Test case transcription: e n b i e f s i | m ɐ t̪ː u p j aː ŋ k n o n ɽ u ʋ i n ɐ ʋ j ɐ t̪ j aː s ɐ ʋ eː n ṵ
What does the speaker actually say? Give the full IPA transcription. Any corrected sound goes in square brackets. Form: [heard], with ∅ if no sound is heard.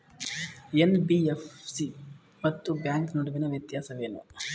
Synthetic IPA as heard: e n b i e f s i | m ɐ t̪ː u [b] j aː ŋ k n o [∅] ɽ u ʋ i n ɐ ʋ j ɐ t̪ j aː s ɐ ʋ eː n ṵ